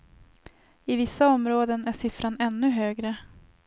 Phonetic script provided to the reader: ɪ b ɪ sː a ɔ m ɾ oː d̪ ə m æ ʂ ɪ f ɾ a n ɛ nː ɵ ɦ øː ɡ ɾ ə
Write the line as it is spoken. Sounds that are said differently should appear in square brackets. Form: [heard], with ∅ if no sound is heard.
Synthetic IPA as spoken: ɪ [v] ɪ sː a ɔ m ɾ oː d̪ ə [n] æ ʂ ɪ f ɾ a n ɛ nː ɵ ɦ øː ɡ ɾ ə